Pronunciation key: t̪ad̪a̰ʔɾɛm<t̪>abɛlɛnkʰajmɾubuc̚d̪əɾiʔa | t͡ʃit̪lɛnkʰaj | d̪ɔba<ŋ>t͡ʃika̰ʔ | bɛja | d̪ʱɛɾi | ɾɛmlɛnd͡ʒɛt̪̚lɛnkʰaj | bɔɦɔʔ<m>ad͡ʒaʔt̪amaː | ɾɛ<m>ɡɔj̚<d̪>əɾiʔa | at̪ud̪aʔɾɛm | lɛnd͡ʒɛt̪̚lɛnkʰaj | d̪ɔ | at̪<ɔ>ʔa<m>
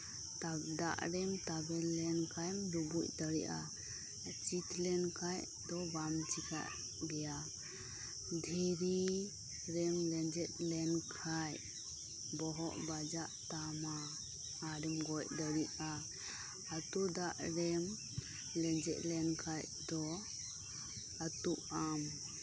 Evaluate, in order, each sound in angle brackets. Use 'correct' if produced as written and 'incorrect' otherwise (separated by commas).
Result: correct, incorrect, incorrect, correct, correct, incorrect, correct